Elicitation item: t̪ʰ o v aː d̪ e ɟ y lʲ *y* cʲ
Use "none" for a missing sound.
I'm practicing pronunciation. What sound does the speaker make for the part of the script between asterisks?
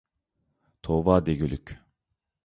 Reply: y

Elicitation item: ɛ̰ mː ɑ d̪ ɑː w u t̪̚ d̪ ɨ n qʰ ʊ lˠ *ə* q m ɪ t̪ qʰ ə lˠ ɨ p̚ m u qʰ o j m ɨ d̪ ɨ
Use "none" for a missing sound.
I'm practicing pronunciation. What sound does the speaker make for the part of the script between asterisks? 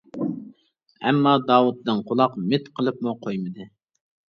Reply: ɑ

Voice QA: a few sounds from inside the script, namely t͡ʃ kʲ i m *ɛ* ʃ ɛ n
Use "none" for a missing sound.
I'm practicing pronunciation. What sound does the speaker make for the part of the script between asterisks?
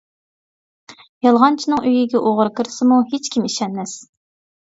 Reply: i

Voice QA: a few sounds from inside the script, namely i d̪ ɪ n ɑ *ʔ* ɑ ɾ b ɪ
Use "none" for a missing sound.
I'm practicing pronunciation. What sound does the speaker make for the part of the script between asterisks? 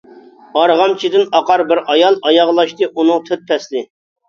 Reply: q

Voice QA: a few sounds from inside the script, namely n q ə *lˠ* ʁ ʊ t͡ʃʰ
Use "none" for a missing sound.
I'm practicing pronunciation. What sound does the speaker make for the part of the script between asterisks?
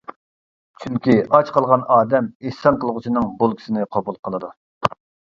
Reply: lˠ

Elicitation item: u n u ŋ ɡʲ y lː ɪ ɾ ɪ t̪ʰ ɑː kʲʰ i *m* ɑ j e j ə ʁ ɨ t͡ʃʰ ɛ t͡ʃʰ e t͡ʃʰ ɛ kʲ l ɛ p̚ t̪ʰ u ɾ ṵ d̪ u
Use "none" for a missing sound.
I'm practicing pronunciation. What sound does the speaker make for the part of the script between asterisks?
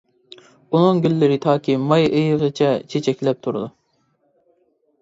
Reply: m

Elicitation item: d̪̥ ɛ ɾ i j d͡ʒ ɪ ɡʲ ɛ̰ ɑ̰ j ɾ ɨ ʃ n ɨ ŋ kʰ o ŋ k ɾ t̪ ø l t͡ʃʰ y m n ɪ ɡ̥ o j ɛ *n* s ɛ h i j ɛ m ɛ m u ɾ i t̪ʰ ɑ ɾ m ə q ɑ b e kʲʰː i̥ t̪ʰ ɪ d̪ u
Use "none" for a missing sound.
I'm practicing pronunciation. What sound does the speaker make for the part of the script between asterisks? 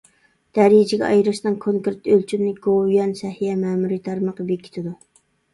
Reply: n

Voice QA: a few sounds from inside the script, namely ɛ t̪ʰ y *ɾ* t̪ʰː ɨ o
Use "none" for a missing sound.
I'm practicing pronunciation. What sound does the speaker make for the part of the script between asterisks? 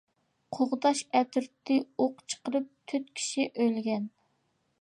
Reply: ɾ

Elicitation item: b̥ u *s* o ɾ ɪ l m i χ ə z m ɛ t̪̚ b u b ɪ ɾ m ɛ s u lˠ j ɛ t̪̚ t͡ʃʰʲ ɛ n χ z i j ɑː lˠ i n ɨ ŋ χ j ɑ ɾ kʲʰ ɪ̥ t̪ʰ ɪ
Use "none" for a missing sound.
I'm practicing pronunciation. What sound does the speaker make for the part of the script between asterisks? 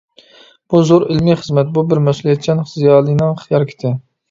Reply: z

